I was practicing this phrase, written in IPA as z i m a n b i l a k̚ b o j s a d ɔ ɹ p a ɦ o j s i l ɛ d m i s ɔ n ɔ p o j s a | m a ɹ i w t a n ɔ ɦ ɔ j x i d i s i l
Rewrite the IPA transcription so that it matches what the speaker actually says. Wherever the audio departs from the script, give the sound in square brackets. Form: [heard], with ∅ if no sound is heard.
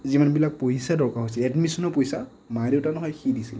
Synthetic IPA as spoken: z i m a n b i l a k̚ [p] o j s a d ɔ ɹ [k] a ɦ o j s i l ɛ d m i s ɔ n ɔ p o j s a | m a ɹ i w t a n ɔ ɦ ɔ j x i d i s i l